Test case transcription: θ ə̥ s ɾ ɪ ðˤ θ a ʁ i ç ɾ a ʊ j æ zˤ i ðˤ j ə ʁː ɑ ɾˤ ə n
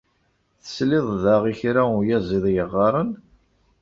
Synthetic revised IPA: θ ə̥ s l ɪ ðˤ ð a ʁ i ç ɾ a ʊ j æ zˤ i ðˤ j ə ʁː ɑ ɾˤ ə n